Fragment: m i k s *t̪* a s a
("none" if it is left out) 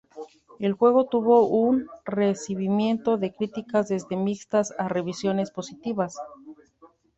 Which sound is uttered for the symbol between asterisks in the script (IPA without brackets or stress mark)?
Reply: t̪